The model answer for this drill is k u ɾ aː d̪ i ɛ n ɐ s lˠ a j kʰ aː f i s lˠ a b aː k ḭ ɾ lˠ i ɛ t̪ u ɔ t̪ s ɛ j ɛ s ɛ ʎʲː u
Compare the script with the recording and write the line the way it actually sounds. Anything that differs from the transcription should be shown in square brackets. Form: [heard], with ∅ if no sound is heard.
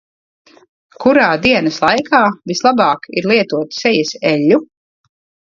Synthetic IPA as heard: k u ɾ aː d̪ i ɛ n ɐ s lˠ a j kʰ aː [v] i s lˠ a b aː k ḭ ɾ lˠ i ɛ t̪ u ɔ t̪ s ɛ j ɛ s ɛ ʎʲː u